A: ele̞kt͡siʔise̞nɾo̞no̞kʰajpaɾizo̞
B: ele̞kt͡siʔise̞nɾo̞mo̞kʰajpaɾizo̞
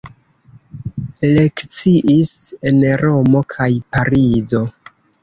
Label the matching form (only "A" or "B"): B